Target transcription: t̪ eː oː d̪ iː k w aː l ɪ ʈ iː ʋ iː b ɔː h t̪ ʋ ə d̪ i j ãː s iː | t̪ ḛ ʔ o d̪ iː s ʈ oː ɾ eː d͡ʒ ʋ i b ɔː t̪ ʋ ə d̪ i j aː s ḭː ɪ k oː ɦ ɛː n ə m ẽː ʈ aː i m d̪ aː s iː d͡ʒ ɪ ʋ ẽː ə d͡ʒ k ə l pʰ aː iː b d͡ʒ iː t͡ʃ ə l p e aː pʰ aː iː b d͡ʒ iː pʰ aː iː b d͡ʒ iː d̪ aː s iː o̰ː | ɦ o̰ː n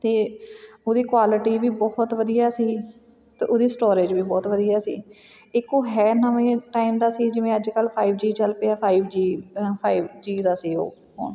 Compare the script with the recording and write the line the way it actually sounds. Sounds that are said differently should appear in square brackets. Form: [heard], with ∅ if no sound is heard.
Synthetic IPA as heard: t̪ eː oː d̪ iː k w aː l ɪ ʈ iː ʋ iː b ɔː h t̪ ʋ ə d̪ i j [aː] s iː | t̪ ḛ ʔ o d̪ iː s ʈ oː ɾ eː d͡ʒ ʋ [iː] b ɔː t̪ ʋ ə d̪ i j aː s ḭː ɪ k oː ɦ ɛː n ə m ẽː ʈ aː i m d̪ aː s iː d͡ʒ ɪ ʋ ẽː ə d͡ʒ k ə l pʰ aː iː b d͡ʒ iː t͡ʃ ə l p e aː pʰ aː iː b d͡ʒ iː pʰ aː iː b d͡ʒ iː d̪ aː s iː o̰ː | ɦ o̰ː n